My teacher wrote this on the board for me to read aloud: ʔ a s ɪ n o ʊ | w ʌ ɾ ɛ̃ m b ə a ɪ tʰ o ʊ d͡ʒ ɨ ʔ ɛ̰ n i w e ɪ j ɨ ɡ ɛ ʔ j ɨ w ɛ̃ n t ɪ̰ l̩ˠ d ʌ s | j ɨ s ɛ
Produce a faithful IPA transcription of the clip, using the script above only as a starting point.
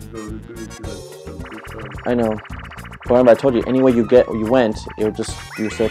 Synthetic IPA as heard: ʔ a ɪ n o ʊ | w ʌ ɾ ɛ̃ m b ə a ɪ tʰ o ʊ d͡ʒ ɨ ʔ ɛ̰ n i w e ɪ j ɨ ɡ ɛ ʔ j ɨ w ɛ̃ n t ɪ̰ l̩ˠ d͡ʒ ʌ s | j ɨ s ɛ